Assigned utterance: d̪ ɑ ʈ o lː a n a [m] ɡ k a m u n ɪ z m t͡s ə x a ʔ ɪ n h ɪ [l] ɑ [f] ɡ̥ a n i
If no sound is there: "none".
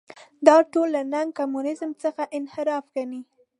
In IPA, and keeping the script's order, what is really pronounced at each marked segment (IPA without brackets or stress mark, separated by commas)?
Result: ŋ, ɾ, f